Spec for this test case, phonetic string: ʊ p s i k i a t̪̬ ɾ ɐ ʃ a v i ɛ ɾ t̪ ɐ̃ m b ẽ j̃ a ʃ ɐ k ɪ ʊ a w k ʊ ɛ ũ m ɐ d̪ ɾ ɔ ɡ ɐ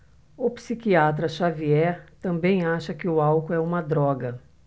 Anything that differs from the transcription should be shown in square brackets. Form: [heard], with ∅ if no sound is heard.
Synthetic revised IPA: ʊ p s i k i a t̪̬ ɾ ɐ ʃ a v i ɛ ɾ t̪ ɐ̃ m b ẽ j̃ a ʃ ɐ k ɪ ʊ a w k ʊ ɛ ũ m ɐ d̪ ɾ ɔ ɡ ɐ